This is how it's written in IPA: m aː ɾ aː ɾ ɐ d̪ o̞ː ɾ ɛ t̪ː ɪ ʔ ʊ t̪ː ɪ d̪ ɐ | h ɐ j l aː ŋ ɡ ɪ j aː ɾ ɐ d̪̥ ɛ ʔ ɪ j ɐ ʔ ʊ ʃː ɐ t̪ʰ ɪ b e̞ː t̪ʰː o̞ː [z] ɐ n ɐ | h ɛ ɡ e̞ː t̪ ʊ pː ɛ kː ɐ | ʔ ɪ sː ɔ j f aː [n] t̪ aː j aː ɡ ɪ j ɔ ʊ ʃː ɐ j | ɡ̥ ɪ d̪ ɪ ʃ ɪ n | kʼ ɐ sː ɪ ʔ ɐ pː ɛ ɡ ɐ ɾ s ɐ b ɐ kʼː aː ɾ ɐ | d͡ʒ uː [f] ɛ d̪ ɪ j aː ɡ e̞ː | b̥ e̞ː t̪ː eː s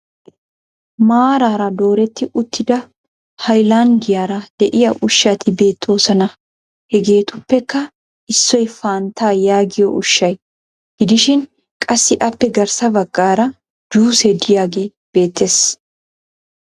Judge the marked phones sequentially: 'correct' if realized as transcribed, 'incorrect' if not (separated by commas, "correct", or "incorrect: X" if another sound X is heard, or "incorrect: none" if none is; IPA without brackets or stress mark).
incorrect: s, correct, incorrect: s